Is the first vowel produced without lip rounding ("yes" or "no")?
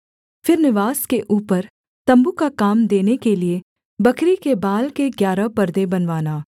yes